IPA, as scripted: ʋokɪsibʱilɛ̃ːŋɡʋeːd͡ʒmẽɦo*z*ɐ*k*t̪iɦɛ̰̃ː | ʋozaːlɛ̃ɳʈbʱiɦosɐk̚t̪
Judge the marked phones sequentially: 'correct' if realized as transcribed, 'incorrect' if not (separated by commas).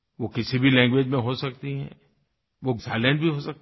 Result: incorrect, correct